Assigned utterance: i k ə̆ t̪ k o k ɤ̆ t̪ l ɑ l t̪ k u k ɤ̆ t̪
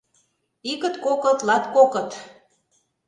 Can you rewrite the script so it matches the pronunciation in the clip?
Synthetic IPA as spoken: i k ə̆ t̪ k o k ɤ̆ t̪ l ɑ t̪ k o k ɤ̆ t̪